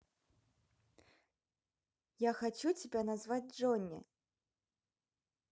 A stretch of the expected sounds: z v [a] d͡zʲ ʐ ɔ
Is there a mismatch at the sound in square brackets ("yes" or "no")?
no